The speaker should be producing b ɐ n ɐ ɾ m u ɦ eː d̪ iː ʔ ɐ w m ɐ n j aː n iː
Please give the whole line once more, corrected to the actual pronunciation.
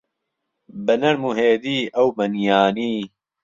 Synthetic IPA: b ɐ n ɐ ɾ m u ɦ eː d̪ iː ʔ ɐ w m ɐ n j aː n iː